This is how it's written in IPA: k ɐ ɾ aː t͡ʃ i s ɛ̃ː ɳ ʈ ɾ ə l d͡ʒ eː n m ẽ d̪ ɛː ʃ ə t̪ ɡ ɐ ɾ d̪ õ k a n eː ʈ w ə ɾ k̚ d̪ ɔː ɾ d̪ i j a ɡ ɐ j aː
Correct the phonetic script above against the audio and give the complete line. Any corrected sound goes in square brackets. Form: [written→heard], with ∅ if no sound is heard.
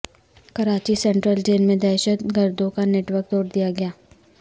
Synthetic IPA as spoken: k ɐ ɾ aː t͡ʃ i s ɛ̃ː ɳ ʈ ɾ ə l d͡ʒ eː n m ẽ d̪ ɛː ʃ ə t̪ ɡ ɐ ɾ d̪ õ k a n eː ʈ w ə ɾ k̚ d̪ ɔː ɾ d̪ i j a ɡ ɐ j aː